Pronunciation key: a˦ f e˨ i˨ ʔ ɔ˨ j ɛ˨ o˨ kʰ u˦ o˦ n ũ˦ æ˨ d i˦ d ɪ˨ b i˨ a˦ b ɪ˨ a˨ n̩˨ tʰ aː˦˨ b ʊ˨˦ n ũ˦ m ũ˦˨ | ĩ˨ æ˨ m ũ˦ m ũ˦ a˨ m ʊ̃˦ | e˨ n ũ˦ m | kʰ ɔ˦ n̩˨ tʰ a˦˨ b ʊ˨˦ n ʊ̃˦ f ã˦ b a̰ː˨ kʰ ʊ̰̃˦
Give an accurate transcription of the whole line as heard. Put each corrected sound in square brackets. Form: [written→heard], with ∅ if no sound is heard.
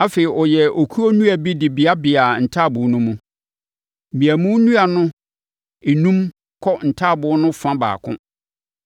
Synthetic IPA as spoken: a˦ f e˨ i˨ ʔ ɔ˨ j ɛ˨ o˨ kʰ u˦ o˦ n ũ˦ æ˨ [d→b] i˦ d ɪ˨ b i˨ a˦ b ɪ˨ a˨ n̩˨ tʰ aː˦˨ b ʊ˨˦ n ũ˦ m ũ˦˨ | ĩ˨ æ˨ m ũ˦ [m→n] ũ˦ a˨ [m→n] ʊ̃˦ | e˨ n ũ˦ m | kʰ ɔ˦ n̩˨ tʰ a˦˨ b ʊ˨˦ n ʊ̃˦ f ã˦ b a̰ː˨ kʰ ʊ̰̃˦